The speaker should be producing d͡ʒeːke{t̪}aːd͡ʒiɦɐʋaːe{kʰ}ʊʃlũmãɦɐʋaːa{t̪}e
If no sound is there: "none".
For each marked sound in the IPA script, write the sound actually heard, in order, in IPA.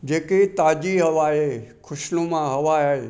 t̪, kʰ, none

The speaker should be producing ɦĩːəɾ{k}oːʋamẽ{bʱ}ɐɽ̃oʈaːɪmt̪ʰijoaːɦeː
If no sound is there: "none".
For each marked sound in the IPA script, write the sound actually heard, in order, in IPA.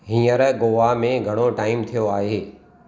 ɡ, ɡʱ

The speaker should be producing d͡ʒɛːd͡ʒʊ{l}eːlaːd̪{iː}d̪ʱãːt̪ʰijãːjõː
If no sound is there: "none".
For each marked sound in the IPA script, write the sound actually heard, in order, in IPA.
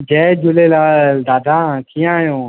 l, aː

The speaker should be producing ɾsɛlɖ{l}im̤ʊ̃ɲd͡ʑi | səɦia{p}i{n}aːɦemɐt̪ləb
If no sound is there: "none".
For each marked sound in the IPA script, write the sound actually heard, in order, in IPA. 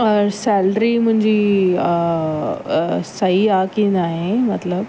ɾ, k, n

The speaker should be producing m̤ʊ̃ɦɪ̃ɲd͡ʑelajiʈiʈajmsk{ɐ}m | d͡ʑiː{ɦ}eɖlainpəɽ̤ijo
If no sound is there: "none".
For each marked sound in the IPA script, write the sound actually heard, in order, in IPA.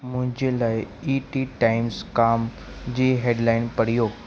a, ɦ

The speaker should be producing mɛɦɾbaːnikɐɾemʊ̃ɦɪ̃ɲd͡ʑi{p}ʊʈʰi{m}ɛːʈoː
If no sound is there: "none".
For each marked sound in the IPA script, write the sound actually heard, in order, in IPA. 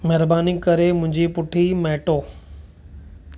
p, m

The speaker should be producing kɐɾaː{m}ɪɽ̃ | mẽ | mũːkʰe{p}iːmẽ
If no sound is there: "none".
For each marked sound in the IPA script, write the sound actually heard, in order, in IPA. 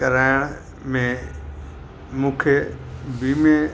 none, b

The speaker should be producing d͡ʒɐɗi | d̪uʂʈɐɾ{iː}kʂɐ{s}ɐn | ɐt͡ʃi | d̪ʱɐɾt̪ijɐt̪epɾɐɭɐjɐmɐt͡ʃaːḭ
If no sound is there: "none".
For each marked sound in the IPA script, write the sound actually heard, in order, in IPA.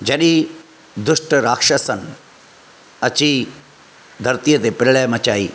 aː, s

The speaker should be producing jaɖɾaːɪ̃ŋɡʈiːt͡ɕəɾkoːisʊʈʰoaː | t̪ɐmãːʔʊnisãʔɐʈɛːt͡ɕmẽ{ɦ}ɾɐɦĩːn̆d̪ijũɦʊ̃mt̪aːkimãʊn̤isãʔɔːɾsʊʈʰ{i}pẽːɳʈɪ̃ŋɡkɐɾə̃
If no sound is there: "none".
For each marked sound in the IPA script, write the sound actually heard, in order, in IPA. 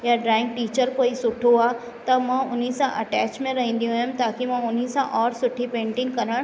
none, i

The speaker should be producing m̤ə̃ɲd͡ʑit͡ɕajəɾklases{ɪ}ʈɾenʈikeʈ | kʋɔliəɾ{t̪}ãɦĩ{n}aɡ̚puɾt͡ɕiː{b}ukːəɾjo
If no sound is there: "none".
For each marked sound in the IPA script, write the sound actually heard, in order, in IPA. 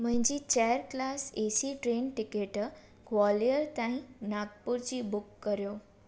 i, t̪, n, b

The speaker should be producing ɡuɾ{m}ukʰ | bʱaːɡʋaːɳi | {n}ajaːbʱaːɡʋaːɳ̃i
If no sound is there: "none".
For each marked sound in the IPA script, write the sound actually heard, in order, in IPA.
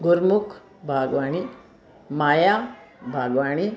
m, m

